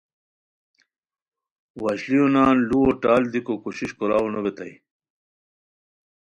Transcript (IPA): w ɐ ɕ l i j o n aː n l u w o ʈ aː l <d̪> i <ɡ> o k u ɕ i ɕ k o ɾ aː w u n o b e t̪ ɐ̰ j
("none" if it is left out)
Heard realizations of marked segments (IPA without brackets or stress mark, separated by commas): d̪, k